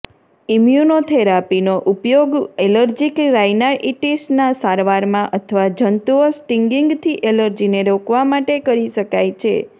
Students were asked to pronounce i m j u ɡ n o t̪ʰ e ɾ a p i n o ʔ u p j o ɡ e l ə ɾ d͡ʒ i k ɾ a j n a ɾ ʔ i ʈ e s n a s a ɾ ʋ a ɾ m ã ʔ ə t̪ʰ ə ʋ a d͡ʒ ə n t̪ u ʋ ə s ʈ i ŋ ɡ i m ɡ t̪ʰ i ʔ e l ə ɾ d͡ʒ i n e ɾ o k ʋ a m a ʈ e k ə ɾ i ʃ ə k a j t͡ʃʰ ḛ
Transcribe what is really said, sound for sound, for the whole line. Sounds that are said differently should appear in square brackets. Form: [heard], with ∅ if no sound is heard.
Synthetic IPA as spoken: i m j u [∅] n o t̪ʰ e ɾ a p i n o ʔ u p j o ɡ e l ə ɾ d͡ʒ i k ɾ a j n a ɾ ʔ i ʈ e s n a s a ɾ ʋ a ɾ m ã ʔ ə t̪ʰ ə ʋ a d͡ʒ ə n t̪ u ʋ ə s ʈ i ŋ ɡ i [ŋ] ɡ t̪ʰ i ʔ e l ə ɾ d͡ʒ i n e ɾ o k ʋ a m a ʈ e k ə ɾ i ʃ ə k a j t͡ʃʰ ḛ